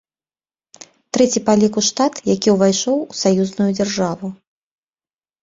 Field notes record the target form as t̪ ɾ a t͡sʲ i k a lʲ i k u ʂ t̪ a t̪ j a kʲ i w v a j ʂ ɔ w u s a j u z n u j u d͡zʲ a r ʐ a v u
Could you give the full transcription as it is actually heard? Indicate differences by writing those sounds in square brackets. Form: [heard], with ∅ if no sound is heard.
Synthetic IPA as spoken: t̪ ɾ [ɛ] t͡sʲ i [p] a lʲ i k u ʂ t̪ a t̪ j a kʲ i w v a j ʂ ɔ w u s a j u z n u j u d͡zʲ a r ʐ a v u

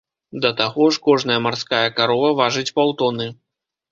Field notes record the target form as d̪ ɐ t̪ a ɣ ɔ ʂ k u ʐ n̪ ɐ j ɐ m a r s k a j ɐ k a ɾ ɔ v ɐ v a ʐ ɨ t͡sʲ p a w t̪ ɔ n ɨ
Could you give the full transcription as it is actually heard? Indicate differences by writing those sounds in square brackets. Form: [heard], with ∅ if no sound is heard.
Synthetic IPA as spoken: d̪ ɐ t̪ a ɣ ɔ ʂ k [ɔ] ʐ n̪ ɐ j ɐ m a r s k a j ɐ k a ɾ ɔ v ɐ v a ʐ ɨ t͡sʲ p a w t̪ ɔ n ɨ

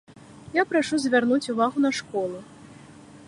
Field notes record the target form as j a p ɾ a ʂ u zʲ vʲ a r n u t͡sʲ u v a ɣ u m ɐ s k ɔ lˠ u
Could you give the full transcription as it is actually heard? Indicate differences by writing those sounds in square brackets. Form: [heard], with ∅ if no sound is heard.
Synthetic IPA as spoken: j a p ɾ a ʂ u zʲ vʲ a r n u t͡sʲ u v a ɣ u [n] ɐ [ʂ] k ɔ lˠ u

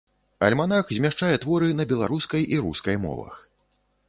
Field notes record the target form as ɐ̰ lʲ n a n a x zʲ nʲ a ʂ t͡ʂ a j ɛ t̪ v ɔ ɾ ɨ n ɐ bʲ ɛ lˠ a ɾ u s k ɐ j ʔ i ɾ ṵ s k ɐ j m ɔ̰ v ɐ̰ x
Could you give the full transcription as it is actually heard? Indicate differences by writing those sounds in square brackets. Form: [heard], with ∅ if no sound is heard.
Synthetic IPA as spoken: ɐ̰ lʲ [m] a n a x zʲ [mʲ] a ʂ t͡ʂ a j ɛ t̪ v ɔ ɾ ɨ n ɐ bʲ ɛ lˠ a ɾ u s k ɐ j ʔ i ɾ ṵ s k ɐ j m ɔ̰ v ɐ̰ x

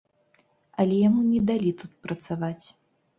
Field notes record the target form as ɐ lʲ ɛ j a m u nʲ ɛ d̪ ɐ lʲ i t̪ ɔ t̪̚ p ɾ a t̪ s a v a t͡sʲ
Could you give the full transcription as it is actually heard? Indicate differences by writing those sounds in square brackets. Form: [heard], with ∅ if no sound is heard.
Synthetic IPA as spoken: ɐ lʲ ɛ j a m u nʲ ɛ d̪ [a] lʲ i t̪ [u] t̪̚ p ɾ [ɐ] t̪ s a v a t͡sʲ

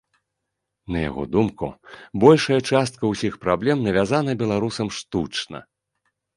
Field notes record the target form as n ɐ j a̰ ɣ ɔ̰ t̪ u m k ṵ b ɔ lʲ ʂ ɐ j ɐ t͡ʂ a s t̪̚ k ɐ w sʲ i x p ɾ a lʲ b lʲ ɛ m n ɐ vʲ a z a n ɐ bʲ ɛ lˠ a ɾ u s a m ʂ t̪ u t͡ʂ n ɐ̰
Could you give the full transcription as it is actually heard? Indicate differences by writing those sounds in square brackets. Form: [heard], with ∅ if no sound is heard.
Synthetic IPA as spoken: n ɐ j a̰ ɣ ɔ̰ [d̪] u m k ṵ b ɔ lʲ ʂ ɐ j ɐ t͡ʂ a s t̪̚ k ɐ w sʲ i x p ɾ a [∅] b lʲ ɛ m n ɐ vʲ a z a n ɐ bʲ ɛ lˠ a ɾ u s [ɐ] m ʂ t̪ u t͡ʂ n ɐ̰

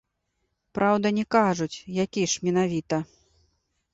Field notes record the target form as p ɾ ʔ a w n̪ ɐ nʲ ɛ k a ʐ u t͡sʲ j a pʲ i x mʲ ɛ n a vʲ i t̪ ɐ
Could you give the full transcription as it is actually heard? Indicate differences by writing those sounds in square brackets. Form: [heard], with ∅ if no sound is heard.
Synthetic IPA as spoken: p ɾ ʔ a w [d̪] ɐ nʲ ɛ k a ʐ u t͡sʲ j a [kʲ] i [ʂ] mʲ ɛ n a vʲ i t̪ ɐ

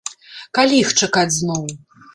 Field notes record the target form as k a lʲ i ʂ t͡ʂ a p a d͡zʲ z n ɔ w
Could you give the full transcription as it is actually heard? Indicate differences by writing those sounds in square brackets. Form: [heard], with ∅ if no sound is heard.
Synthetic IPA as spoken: k a lʲ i [x] t͡ʂ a [k] a d͡zʲ z n ɔ w

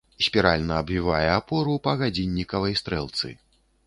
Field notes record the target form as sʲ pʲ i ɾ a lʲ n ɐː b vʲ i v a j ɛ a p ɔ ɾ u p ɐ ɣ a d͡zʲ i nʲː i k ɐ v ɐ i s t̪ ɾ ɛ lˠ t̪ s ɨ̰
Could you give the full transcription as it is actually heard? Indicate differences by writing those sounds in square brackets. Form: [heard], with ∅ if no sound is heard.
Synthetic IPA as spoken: sʲ pʲ i ɾ a lʲ n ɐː b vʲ i v a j ɛ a p ɔ ɾ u p ɐ ɣ a d͡zʲ i nʲː i k ɐ v ɐ [j] s t̪ ɾ ɛ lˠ t̪ s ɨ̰

